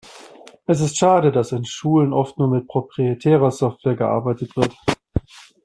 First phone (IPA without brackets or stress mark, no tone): ʔ